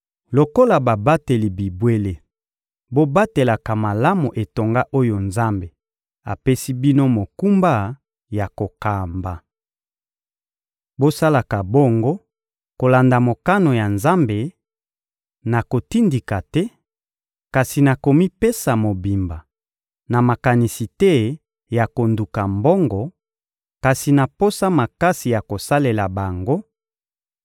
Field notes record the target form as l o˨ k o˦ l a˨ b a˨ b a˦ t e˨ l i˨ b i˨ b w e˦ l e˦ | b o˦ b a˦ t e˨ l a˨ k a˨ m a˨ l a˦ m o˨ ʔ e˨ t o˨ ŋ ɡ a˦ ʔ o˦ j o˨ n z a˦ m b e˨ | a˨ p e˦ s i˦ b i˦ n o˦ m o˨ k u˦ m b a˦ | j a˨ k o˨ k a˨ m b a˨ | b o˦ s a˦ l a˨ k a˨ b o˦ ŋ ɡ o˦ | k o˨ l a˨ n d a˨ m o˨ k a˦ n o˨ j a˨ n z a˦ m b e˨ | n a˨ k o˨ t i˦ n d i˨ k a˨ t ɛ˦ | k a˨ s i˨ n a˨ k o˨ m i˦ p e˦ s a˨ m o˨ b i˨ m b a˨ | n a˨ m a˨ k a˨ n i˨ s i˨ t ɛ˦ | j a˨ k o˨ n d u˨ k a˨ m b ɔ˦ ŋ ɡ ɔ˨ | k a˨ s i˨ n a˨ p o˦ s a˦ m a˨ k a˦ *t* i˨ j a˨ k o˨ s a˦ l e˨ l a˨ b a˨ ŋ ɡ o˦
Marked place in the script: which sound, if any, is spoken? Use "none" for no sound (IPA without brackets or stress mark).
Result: s